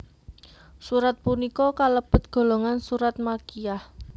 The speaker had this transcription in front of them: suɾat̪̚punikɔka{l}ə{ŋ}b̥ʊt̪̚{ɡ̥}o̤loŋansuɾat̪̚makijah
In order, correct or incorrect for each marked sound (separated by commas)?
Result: correct, incorrect, correct